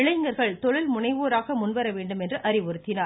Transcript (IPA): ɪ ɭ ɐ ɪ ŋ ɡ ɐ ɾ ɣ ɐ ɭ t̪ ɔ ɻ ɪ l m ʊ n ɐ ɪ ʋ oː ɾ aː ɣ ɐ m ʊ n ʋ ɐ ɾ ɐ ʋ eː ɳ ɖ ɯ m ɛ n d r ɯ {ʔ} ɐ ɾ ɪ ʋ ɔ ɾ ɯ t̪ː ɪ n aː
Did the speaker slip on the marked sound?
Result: no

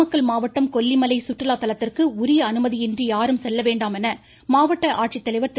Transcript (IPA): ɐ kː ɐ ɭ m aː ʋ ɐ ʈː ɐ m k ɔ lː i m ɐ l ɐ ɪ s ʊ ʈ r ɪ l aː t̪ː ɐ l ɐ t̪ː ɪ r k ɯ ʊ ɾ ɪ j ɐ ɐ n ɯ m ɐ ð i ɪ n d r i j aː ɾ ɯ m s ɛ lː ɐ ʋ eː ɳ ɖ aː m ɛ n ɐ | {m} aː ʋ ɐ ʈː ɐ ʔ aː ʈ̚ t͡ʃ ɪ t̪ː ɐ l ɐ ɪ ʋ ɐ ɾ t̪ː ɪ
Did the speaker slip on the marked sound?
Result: no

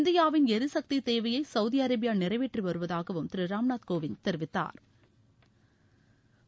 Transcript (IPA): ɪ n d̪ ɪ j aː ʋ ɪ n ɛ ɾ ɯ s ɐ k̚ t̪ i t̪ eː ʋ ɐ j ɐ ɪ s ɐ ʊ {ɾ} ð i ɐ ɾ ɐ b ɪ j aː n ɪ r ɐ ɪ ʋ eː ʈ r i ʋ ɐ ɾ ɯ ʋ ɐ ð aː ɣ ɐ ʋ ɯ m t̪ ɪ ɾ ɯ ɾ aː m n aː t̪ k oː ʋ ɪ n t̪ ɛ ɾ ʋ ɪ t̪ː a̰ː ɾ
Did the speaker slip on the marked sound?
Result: yes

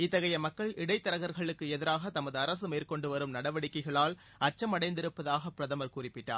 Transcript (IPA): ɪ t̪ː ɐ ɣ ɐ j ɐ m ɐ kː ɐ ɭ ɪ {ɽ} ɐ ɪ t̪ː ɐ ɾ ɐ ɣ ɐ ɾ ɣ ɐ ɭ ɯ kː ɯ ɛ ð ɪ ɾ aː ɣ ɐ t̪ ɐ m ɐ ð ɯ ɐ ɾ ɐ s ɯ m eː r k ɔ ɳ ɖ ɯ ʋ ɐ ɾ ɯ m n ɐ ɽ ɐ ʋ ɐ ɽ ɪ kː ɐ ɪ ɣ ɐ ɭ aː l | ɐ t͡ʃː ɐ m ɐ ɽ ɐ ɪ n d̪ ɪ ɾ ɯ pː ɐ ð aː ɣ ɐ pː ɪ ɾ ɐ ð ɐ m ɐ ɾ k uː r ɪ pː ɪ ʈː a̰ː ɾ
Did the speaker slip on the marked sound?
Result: no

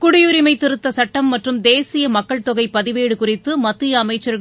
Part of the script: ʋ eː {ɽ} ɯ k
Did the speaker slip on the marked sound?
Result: no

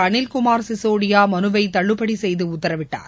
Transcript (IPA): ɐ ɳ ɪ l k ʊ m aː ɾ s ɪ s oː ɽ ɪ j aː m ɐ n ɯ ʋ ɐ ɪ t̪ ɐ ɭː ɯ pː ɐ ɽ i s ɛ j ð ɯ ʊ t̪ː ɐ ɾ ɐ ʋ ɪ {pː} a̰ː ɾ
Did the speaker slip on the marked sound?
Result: yes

